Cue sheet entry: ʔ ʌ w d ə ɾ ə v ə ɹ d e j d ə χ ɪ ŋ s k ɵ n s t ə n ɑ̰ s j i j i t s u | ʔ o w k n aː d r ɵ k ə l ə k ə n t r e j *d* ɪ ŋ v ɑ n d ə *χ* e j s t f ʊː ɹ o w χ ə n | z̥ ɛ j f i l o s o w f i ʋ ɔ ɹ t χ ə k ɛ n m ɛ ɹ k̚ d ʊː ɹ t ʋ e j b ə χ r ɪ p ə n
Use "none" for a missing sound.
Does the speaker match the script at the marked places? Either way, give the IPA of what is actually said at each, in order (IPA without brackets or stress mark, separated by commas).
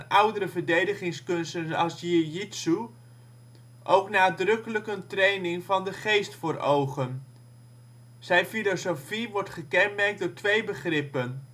n, χ